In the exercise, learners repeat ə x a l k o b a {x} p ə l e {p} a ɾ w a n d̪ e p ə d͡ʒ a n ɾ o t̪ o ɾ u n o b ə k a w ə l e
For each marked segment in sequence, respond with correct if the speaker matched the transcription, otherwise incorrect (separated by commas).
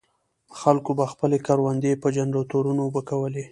correct, incorrect